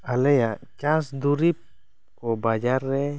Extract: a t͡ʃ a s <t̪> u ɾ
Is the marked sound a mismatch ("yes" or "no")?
yes